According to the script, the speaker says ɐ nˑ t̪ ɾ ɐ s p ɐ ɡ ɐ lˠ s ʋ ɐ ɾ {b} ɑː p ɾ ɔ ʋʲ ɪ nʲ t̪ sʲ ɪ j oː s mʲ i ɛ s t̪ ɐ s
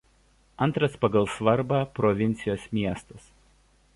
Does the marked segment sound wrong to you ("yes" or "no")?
no